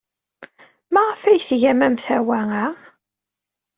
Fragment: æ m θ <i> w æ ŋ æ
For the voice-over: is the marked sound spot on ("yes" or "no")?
no